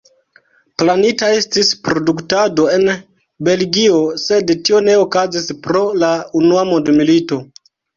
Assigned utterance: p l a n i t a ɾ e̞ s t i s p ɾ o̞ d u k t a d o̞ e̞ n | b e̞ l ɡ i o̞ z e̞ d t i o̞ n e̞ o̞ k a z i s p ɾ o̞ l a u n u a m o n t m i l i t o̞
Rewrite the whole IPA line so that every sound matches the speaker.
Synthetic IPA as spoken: p l a n i t a e̞ s t i s p ɾ o̞ d u k t a d o̞ e̞ n | b e̞ l ɡ i o̞ s e̞ d t i o̞ n e̞ o̞ k a z i s p ɾ o̞ l a u n u a m o n d m i l i t o̞